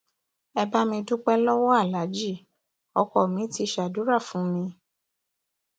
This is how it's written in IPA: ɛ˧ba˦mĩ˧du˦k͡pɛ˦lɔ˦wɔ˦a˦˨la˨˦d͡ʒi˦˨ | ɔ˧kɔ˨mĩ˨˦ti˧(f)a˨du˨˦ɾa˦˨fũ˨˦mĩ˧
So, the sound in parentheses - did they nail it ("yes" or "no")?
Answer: no